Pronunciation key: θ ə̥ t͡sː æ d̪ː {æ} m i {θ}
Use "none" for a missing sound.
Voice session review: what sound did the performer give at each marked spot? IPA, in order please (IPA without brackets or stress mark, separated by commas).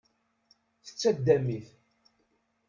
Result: æ, θ